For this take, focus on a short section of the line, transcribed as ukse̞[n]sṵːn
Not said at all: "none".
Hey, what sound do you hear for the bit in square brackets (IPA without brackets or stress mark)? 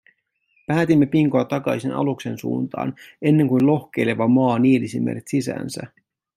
n